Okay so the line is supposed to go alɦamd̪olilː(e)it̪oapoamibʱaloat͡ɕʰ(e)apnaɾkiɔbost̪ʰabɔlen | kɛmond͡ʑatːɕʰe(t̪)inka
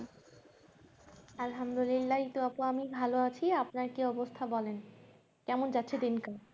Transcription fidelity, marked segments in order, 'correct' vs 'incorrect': incorrect, incorrect, incorrect

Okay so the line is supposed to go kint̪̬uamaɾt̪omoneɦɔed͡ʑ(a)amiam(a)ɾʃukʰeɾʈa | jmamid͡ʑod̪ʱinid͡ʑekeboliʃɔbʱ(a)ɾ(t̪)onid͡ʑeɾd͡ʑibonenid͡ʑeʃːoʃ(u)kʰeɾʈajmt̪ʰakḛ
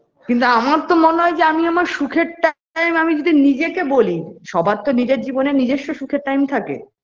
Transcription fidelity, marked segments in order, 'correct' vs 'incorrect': incorrect, correct, correct, correct, correct

